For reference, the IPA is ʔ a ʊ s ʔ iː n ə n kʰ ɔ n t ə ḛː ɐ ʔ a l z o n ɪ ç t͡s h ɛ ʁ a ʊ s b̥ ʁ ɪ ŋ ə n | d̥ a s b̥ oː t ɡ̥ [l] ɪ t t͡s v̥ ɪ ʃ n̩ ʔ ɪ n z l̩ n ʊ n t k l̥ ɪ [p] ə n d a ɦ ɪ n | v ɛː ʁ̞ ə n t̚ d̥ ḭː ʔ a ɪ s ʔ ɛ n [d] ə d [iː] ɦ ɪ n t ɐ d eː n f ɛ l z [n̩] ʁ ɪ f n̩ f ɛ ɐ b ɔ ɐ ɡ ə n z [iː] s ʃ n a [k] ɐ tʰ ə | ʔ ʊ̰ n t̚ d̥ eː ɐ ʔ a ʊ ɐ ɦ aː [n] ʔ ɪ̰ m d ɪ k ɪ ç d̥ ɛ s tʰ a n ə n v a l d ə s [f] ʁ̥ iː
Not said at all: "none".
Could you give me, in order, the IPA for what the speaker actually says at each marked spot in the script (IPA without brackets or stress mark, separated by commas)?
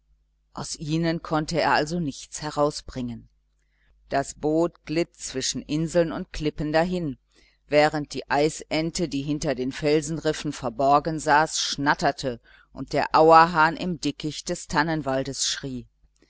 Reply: l, p, t, iː, n̩, aː, t, n, ʃ